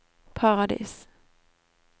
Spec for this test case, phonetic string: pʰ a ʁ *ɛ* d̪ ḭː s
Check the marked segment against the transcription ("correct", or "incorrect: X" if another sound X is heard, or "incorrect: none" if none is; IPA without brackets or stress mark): incorrect: a